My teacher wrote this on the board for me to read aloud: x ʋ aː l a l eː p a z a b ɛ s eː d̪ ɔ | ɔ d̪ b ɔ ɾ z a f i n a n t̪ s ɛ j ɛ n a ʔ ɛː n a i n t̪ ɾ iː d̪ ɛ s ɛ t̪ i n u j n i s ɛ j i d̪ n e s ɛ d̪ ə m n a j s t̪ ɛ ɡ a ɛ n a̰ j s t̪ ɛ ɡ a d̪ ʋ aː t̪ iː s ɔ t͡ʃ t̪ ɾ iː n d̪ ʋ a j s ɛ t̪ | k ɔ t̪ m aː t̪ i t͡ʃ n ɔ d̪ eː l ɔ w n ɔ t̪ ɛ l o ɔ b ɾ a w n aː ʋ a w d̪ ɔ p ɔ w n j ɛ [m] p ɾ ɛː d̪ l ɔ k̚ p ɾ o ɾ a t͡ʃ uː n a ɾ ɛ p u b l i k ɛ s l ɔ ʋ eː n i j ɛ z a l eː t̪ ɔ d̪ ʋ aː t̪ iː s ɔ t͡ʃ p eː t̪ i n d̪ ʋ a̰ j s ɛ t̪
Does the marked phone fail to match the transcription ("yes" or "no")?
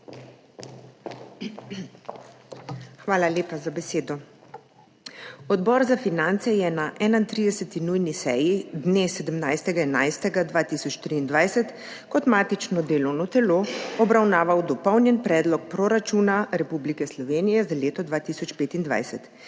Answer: yes